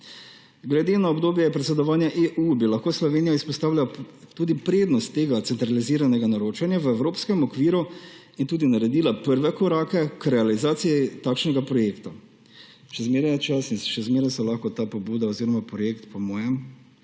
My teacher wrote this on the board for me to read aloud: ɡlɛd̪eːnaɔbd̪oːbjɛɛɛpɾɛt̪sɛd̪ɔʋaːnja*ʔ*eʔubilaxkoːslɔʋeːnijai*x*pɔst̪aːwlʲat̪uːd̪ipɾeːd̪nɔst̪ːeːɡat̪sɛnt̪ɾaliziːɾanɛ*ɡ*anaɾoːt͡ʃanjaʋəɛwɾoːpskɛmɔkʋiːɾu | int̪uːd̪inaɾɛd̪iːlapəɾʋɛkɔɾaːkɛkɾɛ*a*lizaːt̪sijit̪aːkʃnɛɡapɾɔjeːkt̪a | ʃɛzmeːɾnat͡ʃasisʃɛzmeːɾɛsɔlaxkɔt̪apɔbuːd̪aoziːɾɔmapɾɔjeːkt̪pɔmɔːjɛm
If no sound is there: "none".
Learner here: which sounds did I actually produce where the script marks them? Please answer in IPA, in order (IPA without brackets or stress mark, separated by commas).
ʔ, s, ɡ, a